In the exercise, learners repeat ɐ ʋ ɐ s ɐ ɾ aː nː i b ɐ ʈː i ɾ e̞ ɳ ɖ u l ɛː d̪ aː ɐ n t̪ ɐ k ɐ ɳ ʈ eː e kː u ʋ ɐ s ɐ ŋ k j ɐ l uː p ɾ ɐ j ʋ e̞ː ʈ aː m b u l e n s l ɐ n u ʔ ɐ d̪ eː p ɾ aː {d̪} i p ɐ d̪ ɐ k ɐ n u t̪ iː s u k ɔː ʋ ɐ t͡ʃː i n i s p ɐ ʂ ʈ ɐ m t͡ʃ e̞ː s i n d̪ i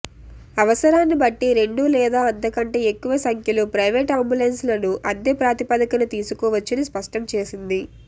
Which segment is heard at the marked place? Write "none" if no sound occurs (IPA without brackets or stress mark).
t̪